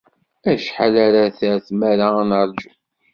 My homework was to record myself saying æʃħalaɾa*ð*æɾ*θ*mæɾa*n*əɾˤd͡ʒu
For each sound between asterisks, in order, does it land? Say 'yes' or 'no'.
no, yes, yes

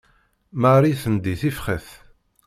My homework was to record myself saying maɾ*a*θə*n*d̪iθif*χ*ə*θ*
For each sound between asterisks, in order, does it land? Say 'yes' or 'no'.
no, yes, yes, yes

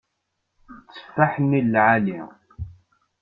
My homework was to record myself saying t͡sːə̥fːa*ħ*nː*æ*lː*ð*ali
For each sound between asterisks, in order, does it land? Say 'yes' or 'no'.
yes, no, no

